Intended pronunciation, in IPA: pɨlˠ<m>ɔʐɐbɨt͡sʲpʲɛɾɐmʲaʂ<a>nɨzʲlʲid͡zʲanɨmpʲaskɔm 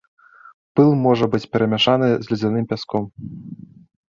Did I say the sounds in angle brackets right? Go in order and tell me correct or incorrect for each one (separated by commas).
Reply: correct, correct